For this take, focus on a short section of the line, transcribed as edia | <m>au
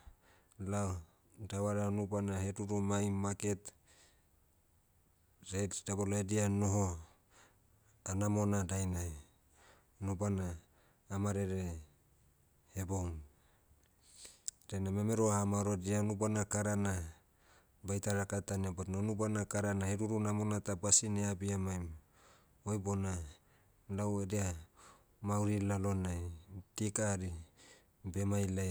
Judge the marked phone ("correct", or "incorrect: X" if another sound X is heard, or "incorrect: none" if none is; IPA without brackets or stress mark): correct